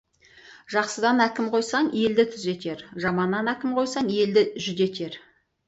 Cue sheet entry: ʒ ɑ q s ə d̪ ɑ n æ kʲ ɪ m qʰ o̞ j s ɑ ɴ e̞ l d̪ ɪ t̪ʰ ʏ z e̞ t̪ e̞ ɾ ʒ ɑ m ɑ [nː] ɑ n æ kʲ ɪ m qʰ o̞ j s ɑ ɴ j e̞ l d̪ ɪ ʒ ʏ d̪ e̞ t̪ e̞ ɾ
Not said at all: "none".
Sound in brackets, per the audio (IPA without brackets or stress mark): nː